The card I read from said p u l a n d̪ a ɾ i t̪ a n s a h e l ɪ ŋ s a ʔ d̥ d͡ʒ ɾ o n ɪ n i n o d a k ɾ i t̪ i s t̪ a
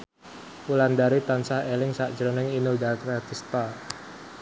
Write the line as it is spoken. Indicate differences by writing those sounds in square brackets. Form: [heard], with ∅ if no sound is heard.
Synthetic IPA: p u l a n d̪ a ɾ i t̪ a n s a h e l ɪ ŋ s a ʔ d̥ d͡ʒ ɾ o n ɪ [ŋ] i n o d a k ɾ [a] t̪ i s t̪ a